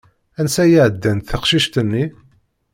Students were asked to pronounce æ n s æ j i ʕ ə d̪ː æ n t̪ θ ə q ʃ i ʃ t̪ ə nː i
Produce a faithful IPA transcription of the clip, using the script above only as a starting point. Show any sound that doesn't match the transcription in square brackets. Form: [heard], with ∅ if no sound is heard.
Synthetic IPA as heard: æ n s æ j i ʕ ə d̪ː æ n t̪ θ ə q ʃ i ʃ t̪ ə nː i